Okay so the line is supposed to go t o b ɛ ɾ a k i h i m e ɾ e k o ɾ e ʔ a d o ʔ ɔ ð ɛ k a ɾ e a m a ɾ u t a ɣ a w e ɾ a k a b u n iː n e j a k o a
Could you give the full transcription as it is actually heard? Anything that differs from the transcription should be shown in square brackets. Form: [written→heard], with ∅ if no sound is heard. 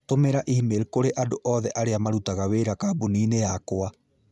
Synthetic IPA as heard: t o [b→m] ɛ ɾ a [k→ʔ] i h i m e ɾ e k o ɾ e ʔ a d o ʔ ɔ ð ɛ [k→ʔ] a ɾ e a m a ɾ u t a ɣ a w e ɾ a k a b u n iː n e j a k o a